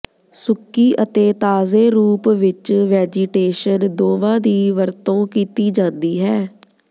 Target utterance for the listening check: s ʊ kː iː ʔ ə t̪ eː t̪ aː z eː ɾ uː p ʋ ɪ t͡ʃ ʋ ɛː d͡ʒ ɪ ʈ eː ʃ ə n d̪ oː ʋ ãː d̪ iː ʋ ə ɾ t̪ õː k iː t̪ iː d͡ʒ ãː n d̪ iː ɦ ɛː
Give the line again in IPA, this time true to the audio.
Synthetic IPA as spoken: s ʊ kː iː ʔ ə t̪ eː t̪ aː z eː ɾ uː p ʋ ɪ t͡ʃ ʋ ɛː d͡ʒ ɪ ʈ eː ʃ ə n d̪ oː ʋ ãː d̪ iː ʋ ə ɾ t̪ õː k iː t̪ iː d͡ʒ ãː n d̪ iː ɦ ɛː

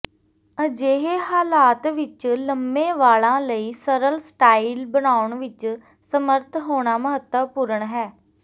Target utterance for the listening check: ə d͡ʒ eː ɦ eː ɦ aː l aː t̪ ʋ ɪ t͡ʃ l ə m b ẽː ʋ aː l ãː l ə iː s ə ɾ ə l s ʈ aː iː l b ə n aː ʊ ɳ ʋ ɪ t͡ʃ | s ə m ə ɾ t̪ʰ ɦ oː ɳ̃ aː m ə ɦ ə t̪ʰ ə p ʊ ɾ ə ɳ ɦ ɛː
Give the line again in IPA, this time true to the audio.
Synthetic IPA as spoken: ə d͡ʒ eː ɦ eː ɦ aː l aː t̪ ʋ ɪ t͡ʃ l ə m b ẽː ʋ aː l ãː l ə iː s ə ɾ ə l s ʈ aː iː l b ə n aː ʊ ɳ ʋ ɪ t͡ʃ | s ə m ə ɾ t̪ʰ ɦ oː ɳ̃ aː m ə ɦ ə t̪ ə p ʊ ɾ ə ɳ ɦ ɛː

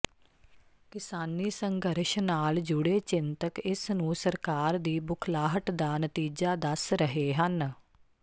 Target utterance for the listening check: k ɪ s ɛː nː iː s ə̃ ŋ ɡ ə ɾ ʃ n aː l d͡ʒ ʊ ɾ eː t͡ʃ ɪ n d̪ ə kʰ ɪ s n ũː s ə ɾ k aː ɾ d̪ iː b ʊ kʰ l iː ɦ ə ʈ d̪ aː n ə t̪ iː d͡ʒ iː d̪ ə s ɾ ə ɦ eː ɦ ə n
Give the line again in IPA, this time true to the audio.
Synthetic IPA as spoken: k ɪ s aː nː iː s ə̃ ŋ ɡ ə ɾ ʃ n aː l d͡ʒ ʊ ɽ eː t͡ʃ ɪ n t̪ ə k ɪ s n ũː s ə ɾ k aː ɾ d̪ iː b ʊ kʰ l aː ɦ ə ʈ d̪ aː n ə t̪ iː d͡ʒ aː d̪ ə s ɾ ə ɦ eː ɦ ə n

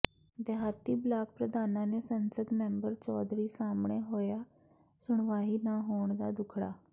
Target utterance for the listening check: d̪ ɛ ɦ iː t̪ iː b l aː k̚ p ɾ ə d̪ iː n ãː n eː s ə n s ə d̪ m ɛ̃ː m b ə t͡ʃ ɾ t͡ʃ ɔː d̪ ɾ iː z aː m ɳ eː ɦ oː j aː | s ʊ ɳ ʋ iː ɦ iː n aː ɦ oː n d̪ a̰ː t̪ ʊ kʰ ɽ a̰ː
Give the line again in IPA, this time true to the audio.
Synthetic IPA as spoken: d̪ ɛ ɦ aː t̪ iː b l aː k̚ p ɾ ə d̪ aː n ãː n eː s ə n s ə d̪ m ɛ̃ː m b ə ɾ t͡ʃ ɔː d̪ ɾ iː s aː m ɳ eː ɦ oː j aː | s ʊ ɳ ʋ aː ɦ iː n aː ɦ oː ɳ d̪ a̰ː d̪ ʊ kʰ ɽ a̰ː

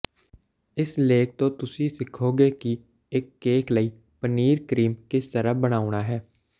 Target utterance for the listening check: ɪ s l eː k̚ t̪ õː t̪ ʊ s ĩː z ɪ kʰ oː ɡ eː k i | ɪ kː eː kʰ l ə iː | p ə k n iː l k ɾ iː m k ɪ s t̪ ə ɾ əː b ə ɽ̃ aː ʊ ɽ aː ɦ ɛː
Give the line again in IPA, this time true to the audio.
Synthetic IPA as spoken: ɪ s l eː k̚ t̪ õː t̪ ʊ s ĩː s ɪ kʰ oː ɡ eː k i | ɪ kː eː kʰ l ə iː | p ə n iː ɾ k ɾ iː m k ɪ s t̪ ə ɾ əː b ə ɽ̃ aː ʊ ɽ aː ɦ ɛː

